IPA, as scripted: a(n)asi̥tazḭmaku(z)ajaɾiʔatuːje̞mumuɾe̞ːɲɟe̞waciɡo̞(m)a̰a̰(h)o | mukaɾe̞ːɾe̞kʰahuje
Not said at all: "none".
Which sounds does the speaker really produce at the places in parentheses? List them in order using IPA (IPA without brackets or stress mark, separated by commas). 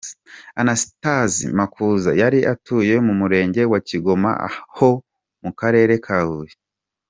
n, z, m, h